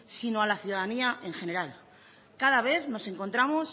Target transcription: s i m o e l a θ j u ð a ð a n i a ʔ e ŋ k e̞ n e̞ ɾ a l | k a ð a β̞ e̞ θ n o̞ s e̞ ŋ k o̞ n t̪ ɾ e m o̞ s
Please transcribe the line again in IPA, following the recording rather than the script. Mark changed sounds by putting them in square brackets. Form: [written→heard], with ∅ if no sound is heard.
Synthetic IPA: s i [m→n] o [e→a] l a θ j u ð a ð a n i a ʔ e ŋ [k→x] e̞ n e̞ ɾ a l | k a ð a β̞ e̞ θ n o̞ s e̞ ŋ k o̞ n t̪ ɾ [e→a] m o̞ s